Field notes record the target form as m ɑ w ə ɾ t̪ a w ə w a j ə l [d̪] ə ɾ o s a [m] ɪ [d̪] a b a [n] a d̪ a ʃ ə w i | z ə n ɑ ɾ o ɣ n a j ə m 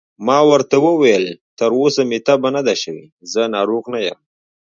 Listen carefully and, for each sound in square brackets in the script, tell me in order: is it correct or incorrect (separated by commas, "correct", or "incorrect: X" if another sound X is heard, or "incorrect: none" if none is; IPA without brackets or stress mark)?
incorrect: t̪, correct, incorrect: t̪, correct